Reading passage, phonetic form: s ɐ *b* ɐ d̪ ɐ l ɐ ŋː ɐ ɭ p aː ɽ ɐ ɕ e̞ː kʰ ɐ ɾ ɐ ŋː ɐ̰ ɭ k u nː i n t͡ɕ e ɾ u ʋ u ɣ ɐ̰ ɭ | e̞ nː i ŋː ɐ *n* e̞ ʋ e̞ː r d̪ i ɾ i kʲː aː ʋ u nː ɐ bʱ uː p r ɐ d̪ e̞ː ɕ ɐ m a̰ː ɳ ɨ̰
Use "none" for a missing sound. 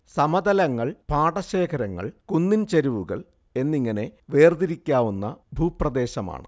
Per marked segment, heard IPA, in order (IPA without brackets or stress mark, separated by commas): m, n